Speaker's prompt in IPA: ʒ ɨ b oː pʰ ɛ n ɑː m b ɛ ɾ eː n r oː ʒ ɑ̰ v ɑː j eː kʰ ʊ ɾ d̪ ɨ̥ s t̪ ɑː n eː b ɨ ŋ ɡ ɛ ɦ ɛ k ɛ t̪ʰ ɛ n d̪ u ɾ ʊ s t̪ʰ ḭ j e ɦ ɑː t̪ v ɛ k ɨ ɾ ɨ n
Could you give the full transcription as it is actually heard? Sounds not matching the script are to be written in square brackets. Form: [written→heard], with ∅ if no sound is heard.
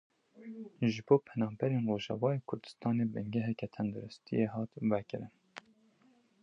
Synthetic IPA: ʒ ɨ b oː pʰ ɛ n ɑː m b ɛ ɾ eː n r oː ʒ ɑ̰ v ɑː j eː kʰ ʊ ɾ d̪ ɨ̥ s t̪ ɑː n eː b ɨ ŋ ɡ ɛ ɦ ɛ k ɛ t̪ʰ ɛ n d̪ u ɾ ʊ s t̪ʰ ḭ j e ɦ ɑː t̪ v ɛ k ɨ ɾ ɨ n